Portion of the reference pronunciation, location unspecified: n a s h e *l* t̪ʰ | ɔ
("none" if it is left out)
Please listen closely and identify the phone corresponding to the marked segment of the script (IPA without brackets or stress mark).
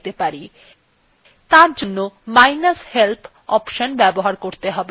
l